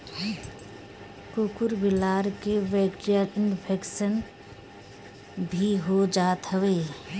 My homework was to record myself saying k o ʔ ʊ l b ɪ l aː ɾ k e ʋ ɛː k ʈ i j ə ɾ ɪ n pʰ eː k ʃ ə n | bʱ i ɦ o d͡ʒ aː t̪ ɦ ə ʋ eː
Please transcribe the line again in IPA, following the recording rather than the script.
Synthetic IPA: k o k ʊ ɾ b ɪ l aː ɾ k e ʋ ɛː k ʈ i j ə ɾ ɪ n pʰ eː k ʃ ə n | bʱ i ɦ o d͡ʒ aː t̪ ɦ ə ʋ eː